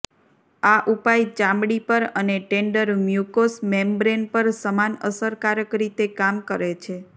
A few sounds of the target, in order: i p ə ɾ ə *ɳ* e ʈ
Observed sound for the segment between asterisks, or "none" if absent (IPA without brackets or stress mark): n